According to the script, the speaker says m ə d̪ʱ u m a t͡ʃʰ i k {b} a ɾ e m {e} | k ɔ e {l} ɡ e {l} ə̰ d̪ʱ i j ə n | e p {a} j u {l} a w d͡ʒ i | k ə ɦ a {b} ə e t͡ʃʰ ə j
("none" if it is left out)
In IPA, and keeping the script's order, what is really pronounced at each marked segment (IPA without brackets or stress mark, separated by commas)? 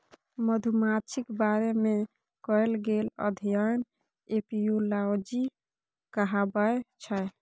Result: b, e, l, l, i, l, b